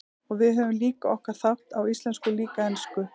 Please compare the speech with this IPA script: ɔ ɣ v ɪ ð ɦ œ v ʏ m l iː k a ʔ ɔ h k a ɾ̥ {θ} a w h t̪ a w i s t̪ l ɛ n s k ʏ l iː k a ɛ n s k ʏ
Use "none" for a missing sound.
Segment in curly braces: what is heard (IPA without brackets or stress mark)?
θ